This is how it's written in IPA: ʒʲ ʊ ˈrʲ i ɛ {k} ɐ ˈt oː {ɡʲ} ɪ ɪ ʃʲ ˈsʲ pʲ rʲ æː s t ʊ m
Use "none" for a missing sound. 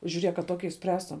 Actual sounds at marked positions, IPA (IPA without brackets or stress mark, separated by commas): k, kʲ